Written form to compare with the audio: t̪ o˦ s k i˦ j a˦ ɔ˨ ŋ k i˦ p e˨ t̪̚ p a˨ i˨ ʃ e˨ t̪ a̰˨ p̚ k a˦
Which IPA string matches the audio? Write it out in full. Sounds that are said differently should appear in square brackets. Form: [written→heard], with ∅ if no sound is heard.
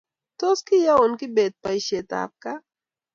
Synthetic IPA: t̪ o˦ s k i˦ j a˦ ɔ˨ [ŋ→n] k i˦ [p→b] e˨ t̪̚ p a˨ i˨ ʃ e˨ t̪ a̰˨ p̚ k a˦